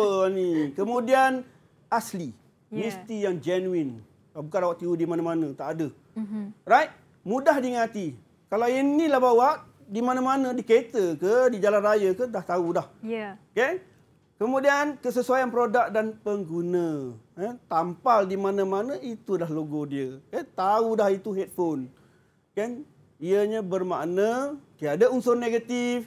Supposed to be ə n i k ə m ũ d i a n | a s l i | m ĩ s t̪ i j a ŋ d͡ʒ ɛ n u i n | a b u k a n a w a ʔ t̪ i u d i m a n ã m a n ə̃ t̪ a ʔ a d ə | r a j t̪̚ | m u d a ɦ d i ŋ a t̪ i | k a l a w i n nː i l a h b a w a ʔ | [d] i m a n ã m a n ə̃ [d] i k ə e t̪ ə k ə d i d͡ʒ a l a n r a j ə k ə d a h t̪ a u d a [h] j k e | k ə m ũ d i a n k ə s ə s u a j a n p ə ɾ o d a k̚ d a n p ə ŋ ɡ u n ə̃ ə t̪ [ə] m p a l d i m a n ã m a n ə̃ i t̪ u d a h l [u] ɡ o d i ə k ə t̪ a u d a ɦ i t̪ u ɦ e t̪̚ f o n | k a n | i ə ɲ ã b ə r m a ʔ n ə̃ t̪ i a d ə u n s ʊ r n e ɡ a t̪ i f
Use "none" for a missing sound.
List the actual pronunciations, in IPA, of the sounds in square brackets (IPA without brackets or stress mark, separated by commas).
d, d, h, a, o